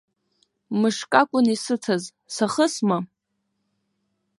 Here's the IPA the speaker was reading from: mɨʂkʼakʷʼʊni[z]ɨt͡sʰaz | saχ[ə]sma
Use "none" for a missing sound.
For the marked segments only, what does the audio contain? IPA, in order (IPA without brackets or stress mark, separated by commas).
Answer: s, ə